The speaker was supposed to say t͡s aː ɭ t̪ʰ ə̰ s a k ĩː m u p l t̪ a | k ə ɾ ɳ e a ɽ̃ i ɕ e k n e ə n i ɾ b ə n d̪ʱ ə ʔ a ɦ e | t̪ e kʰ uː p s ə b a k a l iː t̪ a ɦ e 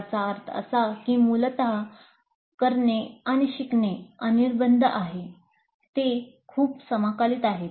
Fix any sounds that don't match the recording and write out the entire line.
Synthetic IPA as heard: t͡s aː ɾ t̪ʰ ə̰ s a k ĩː m u l t̪ a | k ə ɾ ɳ e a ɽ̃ i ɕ i k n e ə n i ɾ b ə n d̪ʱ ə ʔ a ɦ e | t̪ e kʰ uː p s ə m a k a l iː t̪ a ɦ e